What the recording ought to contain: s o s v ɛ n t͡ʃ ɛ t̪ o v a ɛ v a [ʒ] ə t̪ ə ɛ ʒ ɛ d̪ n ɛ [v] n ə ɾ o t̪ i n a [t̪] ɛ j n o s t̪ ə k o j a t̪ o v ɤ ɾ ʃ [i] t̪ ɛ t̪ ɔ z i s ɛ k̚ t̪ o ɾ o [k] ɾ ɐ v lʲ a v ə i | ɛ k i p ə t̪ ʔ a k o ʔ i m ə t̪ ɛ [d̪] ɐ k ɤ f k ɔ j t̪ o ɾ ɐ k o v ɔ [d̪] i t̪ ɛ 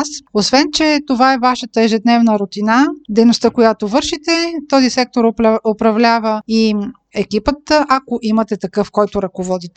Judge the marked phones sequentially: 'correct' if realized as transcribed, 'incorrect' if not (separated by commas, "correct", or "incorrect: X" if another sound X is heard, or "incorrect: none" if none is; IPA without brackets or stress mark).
incorrect: ʃ, correct, incorrect: d̪, correct, incorrect: p, incorrect: t̪, correct